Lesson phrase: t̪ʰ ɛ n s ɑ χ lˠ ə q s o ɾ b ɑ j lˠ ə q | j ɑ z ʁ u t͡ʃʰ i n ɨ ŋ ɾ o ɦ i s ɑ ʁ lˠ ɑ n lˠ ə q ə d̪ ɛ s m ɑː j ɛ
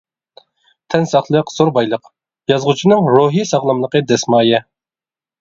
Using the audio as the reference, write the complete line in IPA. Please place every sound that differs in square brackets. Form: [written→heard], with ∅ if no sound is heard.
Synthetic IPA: t̪ʰ ɛ n s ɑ χ lˠ ə q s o ɾ b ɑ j lˠ ə q | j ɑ z ʁ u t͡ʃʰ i n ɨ ŋ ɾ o ɦ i s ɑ ʁ lˠ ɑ [n→m] lˠ ə q ə d̪ ɛ s m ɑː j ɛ